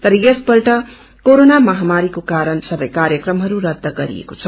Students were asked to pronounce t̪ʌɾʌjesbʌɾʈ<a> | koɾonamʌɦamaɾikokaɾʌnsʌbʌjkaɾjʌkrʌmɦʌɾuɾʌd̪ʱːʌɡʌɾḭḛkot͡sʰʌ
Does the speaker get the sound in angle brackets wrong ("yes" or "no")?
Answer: yes